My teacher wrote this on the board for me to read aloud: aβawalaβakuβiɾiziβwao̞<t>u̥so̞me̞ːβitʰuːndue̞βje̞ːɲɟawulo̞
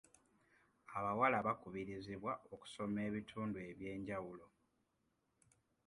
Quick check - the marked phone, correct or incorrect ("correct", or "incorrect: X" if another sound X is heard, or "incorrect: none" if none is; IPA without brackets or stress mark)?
incorrect: k